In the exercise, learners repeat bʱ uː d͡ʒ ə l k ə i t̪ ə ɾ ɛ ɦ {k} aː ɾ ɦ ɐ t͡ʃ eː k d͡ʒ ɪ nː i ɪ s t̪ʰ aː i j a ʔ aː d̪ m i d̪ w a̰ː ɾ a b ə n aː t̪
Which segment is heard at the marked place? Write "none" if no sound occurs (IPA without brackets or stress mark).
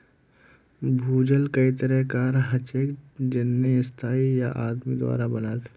k